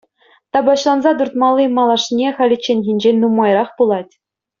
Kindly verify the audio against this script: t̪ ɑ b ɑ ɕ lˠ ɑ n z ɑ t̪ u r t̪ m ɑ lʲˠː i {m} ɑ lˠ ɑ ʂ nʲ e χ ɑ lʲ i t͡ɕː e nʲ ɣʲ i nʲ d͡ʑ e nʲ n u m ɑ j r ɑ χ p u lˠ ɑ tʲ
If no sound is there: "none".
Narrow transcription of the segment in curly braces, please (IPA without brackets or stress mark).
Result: m